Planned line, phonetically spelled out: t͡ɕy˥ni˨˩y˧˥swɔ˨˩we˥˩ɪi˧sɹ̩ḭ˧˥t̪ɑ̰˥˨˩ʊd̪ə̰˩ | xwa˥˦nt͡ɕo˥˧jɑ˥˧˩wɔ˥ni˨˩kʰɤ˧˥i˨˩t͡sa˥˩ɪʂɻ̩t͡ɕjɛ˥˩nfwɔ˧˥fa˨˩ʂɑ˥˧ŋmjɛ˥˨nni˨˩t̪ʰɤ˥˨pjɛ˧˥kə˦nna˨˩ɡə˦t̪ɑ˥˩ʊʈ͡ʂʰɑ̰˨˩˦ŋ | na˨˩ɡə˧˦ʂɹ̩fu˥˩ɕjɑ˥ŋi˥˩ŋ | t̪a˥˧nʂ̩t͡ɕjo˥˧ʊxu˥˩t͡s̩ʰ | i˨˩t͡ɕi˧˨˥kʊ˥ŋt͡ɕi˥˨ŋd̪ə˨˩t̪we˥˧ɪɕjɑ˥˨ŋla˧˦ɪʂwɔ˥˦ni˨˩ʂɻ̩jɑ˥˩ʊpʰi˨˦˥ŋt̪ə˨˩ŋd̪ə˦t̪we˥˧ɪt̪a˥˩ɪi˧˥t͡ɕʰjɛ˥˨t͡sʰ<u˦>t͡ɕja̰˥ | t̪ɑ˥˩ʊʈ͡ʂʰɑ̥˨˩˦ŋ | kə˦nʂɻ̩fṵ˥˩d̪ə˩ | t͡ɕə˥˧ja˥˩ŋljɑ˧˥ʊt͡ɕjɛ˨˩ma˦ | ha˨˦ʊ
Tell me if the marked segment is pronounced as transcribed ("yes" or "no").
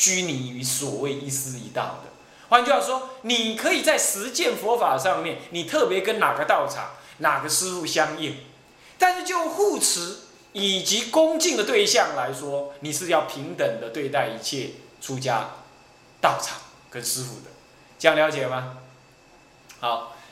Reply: yes